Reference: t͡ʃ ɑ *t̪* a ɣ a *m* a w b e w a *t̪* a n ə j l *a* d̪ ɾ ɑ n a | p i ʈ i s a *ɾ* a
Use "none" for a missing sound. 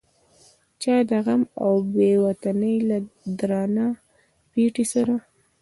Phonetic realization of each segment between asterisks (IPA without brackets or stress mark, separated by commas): d̪, m, t̪, a, ɾ